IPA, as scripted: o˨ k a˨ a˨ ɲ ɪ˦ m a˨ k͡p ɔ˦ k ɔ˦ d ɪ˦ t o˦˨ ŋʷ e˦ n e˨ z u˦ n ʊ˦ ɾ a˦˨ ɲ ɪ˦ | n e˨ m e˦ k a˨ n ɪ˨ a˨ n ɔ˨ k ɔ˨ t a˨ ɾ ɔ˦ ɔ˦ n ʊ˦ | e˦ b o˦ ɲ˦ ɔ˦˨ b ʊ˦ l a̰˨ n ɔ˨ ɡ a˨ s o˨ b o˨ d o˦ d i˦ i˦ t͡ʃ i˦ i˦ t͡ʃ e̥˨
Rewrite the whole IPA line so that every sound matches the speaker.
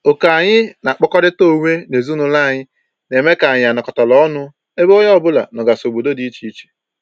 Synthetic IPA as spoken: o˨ k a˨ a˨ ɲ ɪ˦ n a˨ k͡p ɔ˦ k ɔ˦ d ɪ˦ t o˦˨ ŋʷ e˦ n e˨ z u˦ n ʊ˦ l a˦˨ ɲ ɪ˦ | n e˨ m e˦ k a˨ ɲ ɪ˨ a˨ n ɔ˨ k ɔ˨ t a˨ l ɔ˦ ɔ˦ n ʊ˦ | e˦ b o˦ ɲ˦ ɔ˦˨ b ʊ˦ l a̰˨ n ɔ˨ ɡ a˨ s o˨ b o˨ d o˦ d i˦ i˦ t͡ʃ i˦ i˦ t͡ʃ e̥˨